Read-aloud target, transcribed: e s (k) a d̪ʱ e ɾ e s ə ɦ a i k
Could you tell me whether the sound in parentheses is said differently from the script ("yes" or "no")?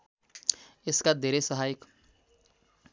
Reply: no